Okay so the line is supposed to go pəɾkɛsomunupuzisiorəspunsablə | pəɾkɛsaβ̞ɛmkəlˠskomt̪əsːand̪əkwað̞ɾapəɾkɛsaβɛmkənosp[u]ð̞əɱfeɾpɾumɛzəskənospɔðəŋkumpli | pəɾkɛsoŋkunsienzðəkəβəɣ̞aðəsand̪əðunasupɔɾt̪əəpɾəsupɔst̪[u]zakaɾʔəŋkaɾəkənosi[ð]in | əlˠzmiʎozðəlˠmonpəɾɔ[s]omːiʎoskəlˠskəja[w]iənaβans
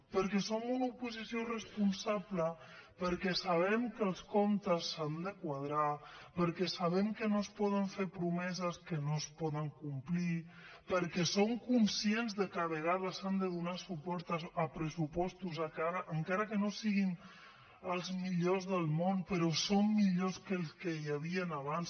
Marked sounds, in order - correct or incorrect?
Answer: incorrect: ɔ, correct, incorrect: ɣ, correct, incorrect: β

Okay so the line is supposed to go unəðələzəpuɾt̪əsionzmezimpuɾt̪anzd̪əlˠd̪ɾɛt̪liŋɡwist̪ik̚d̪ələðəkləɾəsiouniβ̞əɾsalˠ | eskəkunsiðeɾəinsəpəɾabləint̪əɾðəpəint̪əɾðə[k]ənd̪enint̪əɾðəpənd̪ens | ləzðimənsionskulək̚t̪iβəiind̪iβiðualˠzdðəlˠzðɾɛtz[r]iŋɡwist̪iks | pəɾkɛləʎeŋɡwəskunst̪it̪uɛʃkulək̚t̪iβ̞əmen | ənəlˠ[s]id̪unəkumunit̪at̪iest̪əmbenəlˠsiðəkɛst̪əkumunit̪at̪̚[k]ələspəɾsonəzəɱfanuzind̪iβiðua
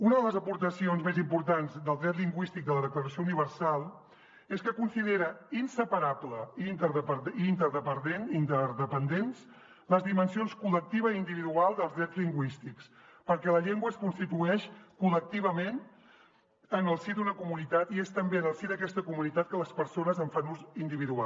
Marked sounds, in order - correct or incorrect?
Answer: incorrect: p, incorrect: l, correct, correct

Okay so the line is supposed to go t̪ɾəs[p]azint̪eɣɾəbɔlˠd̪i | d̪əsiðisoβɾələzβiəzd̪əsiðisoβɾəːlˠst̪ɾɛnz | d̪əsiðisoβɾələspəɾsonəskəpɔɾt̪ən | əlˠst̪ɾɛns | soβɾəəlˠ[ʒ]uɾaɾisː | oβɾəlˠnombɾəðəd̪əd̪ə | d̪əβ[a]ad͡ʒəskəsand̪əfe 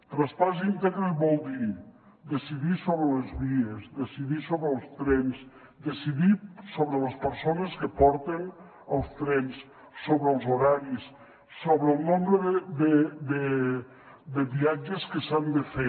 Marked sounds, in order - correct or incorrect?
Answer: correct, incorrect: z, incorrect: i

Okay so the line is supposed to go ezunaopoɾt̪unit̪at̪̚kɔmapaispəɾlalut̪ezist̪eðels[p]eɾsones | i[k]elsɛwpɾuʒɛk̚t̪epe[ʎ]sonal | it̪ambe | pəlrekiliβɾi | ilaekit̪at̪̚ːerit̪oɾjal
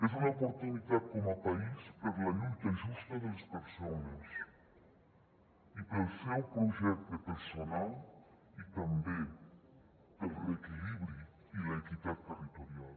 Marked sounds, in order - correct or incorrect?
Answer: correct, incorrect: p, incorrect: ɾ

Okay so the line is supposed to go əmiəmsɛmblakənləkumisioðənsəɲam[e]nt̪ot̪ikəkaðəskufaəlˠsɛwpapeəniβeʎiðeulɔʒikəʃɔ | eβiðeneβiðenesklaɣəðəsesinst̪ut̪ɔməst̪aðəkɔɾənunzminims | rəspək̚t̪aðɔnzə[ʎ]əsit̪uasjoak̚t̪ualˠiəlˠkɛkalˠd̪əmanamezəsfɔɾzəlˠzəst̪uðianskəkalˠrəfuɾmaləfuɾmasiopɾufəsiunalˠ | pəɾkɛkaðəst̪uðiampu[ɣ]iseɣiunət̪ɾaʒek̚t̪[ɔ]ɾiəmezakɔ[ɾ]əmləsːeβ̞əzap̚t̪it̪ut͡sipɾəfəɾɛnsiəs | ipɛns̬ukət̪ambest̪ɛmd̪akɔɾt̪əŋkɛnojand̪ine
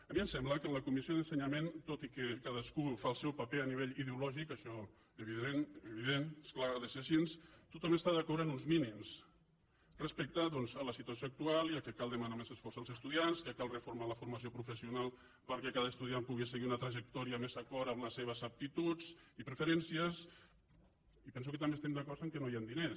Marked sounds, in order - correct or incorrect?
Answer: correct, incorrect: l, correct, correct, correct

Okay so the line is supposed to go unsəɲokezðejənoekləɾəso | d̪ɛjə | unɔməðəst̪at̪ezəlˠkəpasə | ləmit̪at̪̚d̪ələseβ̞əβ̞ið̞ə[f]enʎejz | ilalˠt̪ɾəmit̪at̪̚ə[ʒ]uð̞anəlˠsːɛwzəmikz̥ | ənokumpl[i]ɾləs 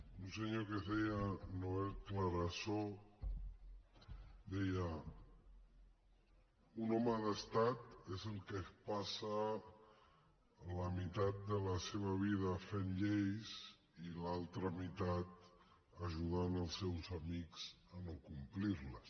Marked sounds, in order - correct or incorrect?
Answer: correct, correct, correct

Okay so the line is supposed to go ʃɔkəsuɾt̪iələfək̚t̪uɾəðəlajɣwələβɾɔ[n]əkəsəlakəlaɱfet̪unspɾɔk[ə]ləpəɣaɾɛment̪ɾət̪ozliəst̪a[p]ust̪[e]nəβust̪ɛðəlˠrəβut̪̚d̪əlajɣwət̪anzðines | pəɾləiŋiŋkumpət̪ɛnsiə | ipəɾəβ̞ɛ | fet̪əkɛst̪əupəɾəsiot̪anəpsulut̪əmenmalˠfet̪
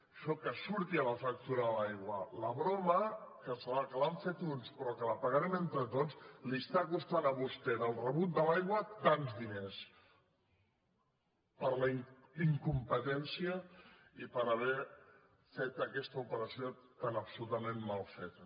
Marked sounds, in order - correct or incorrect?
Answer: incorrect: m, correct, incorrect: k, incorrect: a

